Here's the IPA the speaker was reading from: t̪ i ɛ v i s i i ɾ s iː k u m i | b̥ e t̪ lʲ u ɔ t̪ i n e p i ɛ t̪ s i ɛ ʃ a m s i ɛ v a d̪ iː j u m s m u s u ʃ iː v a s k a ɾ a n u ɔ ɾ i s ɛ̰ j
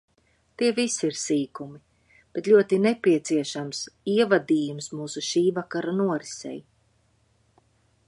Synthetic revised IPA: t̪ i ɛ v i s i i ɾ s iː k u m i | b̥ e t̪ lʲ u ɔ t̪ i n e p i ɛ t̪ s i ɛ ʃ a m s i ɛ v a d̪ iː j u m s m uː s u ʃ iː v a k a ɾ a n u ɔ ɾ i s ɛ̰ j

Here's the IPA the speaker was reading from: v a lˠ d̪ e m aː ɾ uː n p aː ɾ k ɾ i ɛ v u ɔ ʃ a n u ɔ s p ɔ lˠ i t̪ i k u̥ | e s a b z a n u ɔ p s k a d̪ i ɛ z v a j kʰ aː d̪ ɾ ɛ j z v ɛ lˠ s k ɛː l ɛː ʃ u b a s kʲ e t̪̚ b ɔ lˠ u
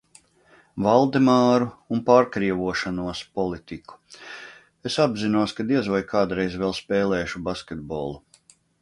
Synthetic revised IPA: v a lˠ d̪ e m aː ɾ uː n p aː ɾ k ɾ i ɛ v u ɔ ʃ a n u ɔ s p ɔ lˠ i t̪ i k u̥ | e s a b z i n u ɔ s k a d̪ i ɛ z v a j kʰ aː d̪ ɾ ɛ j z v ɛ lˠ s p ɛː l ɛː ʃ u b a s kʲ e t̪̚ b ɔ lˠ u

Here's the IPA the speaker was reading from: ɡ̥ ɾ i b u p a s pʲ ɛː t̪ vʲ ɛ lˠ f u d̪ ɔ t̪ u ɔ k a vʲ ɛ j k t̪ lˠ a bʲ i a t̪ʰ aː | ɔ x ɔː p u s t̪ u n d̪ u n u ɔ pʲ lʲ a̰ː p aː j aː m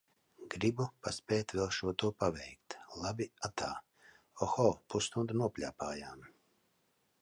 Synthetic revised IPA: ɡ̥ ɾ i b u p a s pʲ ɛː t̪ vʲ ɛ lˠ ʃ u ɔ t̪ u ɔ p a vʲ ɛ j k t̪ lˠ a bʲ i a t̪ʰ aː | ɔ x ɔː p u s t̪ u n d̪ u n u ɔ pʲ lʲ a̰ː p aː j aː m

